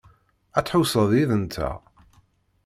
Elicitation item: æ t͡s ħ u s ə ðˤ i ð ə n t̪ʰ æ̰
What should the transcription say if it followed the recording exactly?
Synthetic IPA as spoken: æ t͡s ħ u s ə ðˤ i ð ə n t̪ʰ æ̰